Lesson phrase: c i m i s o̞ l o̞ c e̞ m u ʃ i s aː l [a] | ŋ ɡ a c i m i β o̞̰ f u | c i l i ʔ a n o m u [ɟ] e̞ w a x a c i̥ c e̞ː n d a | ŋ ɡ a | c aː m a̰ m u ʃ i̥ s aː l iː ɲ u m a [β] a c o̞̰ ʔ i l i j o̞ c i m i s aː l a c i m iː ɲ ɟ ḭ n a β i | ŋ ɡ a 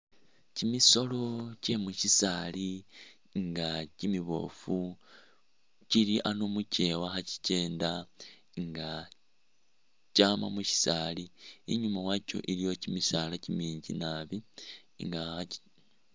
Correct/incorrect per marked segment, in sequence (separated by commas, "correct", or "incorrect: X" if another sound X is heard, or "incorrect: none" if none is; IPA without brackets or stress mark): incorrect: i, incorrect: c, incorrect: w